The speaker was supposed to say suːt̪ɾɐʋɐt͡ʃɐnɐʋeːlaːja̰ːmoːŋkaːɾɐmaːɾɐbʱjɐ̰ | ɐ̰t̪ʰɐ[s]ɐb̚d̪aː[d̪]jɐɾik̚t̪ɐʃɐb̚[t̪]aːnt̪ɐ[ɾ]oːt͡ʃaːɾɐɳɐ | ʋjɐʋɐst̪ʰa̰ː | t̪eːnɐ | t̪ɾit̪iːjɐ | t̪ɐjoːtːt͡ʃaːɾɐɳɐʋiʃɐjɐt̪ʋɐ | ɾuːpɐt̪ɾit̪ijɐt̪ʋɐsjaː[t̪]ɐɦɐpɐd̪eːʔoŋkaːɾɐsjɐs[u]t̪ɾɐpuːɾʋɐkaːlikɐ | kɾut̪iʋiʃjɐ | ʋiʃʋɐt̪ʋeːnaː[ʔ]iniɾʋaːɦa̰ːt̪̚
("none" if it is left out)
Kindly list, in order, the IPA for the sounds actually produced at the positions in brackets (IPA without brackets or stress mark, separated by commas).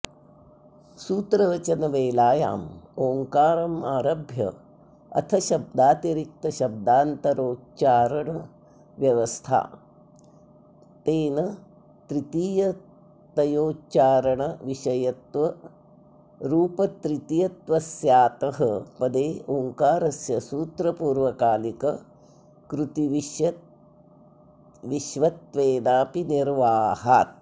ʃ, t̪, d̪, ɾ, t̪, uː, p